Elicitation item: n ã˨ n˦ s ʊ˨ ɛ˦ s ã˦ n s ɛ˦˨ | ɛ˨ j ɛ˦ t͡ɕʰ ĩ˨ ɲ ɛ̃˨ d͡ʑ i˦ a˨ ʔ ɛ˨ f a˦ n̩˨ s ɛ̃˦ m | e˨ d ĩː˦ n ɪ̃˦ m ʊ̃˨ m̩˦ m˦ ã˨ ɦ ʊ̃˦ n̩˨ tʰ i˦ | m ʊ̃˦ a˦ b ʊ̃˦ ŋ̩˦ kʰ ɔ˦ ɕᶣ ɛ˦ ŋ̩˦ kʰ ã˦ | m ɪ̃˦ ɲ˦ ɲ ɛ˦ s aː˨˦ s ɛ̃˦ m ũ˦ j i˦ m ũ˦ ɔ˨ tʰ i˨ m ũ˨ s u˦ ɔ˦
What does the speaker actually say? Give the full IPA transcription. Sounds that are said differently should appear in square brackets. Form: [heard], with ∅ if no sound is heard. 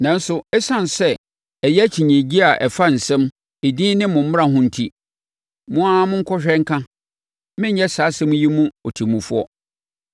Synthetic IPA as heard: n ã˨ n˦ s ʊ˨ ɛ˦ s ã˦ n s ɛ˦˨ | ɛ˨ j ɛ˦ t͡ɕʰ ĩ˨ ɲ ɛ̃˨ d͡ʑ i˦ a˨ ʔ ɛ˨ f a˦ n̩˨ s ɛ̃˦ m | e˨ d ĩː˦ n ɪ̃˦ m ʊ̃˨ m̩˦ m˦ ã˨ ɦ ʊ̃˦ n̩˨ tʰ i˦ | m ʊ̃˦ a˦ [m] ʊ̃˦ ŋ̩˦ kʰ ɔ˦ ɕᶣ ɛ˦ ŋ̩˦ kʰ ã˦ | m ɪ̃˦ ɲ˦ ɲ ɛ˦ s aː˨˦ s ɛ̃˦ m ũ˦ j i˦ m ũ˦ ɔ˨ tʰ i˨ m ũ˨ [f] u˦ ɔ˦